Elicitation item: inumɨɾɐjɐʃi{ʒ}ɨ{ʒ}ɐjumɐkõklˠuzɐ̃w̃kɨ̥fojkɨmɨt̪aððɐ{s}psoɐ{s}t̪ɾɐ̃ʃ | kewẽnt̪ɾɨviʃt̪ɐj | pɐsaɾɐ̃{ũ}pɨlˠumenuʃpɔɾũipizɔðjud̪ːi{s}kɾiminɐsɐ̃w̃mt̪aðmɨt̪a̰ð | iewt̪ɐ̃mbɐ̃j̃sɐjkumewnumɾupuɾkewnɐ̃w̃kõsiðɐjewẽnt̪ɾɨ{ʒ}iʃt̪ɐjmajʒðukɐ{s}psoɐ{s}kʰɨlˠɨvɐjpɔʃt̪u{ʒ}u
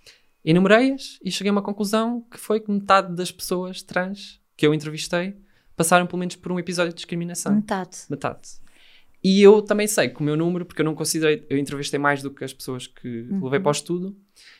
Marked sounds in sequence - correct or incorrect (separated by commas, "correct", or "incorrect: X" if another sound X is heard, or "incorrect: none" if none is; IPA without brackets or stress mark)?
incorrect: ʃ, incorrect: ɣ, incorrect: ʃ, incorrect: ʃ, incorrect: w̃, incorrect: ʃ, incorrect: v, incorrect: ʃ, incorrect: ʃ, incorrect: ð